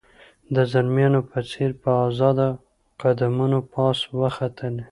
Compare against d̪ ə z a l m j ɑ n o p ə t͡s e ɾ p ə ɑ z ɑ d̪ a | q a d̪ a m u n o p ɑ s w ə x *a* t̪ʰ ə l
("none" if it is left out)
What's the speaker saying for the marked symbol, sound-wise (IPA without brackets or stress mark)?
a